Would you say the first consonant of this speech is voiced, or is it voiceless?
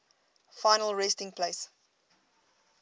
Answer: voiceless